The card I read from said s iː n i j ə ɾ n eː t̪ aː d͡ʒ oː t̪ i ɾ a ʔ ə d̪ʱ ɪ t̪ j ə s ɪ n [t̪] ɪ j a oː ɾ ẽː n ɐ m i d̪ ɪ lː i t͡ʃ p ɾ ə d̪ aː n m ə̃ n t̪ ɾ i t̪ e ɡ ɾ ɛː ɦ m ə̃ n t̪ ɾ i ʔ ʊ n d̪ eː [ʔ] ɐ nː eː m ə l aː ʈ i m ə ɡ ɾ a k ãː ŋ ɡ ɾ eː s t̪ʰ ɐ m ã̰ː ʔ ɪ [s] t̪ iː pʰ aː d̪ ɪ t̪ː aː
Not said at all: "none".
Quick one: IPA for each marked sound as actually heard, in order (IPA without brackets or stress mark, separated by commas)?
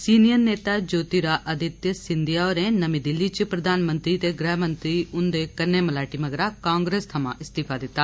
d̪, k, s